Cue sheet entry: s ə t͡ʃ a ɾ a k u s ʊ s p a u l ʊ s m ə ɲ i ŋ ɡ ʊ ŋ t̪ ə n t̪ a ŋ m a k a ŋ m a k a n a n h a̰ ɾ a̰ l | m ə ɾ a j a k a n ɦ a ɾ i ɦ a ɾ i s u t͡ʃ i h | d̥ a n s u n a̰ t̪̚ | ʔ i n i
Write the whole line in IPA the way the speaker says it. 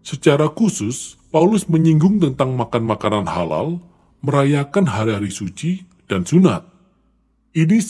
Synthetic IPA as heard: s ə t͡ʃ a ɾ a k u s ʊ s p a u l ʊ s m ə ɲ i ŋ ɡ ʊ ŋ t̪ ə n t̪ a ŋ m a k a n m a k a n a n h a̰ l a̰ l | m ə ɾ a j a k a n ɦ a ɾ i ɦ a ɾ i s u t͡ʃ i | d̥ a n s u n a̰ t̪̚ | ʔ i n i